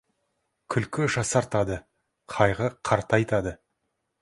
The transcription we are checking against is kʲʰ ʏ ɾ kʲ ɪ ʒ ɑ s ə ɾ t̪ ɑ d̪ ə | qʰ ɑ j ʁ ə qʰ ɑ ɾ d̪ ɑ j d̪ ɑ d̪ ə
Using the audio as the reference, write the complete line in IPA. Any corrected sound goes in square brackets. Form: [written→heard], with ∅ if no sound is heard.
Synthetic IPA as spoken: kʲʰ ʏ [ɾ→l] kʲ ɪ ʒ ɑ s [ə→ɑ] ɾ t̪ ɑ d̪ ə | qʰ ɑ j ʁ ə qʰ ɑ ɾ [d̪→t̪] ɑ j [d̪→t̪] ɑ d̪ ə

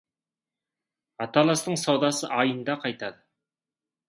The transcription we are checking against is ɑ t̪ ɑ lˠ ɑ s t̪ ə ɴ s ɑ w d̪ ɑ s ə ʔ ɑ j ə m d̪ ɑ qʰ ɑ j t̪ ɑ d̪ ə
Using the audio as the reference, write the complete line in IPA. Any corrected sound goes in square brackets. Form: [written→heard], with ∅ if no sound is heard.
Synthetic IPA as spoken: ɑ t̪ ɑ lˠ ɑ s t̪ ə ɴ s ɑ w d̪ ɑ s ə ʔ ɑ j ə [m→n] d̪ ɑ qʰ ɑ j t̪ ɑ d̪ ə

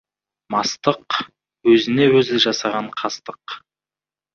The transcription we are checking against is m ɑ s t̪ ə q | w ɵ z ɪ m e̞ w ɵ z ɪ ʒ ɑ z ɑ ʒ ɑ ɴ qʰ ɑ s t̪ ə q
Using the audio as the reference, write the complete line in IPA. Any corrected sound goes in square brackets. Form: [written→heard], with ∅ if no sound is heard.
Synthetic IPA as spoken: m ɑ s t̪ ə q | w ɵ z ɪ [m→n] e̞ w ɵ z ɪ ʒ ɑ [z→s] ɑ [ʒ→ʁ] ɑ ɴ qʰ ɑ s t̪ ə q

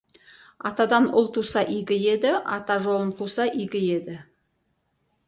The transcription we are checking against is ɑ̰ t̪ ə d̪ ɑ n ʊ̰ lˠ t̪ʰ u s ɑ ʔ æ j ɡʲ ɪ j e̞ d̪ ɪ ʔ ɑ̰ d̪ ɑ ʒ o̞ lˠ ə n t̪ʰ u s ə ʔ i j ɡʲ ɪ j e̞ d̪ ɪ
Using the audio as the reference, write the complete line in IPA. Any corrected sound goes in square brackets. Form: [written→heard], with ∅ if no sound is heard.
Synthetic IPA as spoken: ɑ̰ t̪ [ə→ɑ] d̪ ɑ n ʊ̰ lˠ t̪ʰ u s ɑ ʔ [æ→i] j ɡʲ ɪ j e̞ d̪ ɪ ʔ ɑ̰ [d̪→t̪] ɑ ʒ o̞ lˠ ə n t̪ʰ u s [ə→ɑ] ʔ i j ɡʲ ɪ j e̞ d̪ ɪ

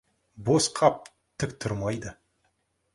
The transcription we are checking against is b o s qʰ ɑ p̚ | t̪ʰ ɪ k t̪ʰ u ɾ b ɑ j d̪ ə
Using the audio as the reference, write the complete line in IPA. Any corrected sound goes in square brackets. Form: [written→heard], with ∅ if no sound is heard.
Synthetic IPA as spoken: b o s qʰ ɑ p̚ | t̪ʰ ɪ k t̪ʰ [u→ʊ] ɾ [b→m] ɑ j d̪ ə

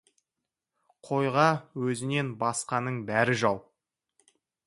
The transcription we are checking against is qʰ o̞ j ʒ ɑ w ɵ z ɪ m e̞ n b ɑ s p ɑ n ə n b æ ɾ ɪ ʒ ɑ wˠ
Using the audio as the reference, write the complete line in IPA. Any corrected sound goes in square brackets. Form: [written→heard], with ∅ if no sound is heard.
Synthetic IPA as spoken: qʰ o̞ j [ʒ→ʁ] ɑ w ɵ z ɪ [m→n] e̞ n b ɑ s [p→q] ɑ n ə [n→ɴ] b æ ɾ ɪ ʒ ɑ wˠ

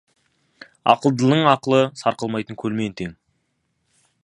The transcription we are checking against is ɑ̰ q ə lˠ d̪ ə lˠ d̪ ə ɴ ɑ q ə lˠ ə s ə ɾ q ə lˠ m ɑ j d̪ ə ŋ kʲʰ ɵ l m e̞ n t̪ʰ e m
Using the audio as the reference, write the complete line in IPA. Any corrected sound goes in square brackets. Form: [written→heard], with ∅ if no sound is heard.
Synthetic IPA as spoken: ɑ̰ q ə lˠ d̪ ə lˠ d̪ ə ɴ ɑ q ə lˠ ə s [ə→ɑ] ɾ q ə lˠ m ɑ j [d̪→t̪] ə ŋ kʲʰ ɵ l m e̞ n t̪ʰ e [m→ŋ]

